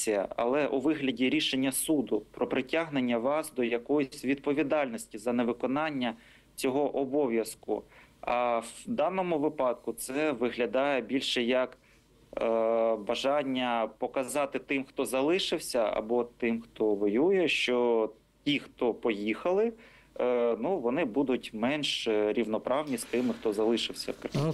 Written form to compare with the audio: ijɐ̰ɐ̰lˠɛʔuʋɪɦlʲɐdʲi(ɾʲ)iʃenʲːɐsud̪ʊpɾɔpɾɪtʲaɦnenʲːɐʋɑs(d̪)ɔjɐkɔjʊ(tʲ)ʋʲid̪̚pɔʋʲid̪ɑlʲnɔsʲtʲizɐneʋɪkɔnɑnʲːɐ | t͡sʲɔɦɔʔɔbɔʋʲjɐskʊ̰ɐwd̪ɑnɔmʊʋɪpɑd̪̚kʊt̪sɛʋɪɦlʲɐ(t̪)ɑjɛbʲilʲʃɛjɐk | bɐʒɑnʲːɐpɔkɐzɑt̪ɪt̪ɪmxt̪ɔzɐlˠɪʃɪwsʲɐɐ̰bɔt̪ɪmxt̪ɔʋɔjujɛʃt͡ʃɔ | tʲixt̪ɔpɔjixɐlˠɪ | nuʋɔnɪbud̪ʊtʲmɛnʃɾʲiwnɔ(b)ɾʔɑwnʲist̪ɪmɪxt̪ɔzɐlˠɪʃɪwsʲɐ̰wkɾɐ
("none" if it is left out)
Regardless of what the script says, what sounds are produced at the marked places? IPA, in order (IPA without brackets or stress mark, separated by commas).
ɾʲ, d̪, sʲ, d̪, p